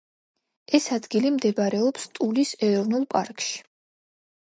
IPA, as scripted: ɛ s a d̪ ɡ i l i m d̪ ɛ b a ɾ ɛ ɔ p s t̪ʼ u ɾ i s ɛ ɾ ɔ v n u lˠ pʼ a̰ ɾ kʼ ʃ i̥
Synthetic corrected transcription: ɛ s a d̪ ɡ i l i m d̪ ɛ b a ɾ ɛ ɔ p s t̪ʼ u l i s ɛ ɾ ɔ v n u lˠ pʼ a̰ ɾ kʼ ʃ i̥